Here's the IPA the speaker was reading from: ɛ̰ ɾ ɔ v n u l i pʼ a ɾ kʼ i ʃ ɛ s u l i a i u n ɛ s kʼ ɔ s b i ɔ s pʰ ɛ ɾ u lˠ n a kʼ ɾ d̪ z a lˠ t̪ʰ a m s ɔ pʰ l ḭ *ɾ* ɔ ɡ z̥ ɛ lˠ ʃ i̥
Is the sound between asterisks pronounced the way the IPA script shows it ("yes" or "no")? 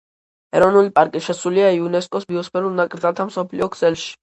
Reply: no